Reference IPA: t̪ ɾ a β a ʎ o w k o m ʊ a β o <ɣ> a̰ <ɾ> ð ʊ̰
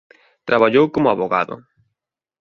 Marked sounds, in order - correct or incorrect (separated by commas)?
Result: correct, incorrect